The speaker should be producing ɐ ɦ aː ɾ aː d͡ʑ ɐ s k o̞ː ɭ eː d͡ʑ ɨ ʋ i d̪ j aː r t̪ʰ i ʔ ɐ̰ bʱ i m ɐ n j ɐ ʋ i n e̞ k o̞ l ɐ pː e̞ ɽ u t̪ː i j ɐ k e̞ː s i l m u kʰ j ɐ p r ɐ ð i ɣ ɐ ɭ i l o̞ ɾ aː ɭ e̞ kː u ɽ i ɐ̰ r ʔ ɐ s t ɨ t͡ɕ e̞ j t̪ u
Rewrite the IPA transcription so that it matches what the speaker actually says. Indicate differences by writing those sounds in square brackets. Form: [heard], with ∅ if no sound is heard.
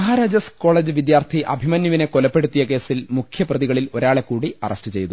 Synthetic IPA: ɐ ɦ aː ɾ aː d͡ʑ ɐ s k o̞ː ɭ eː d͡ʑ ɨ ʋ i d̪ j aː r t̪ʰ i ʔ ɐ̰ bʱ i m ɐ n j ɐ ʋ i n e̞ k o̞ l ɐ pː e̞ ɽ u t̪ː i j ɐ k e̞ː s i l m u kʰ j ɐ p r ɐ ð i ɣ ɐ ɭ i l o̞ ɾ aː ɭ e̞ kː [uː] ɽ i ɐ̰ r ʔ ɐ s t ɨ t͡ɕ e̞ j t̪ u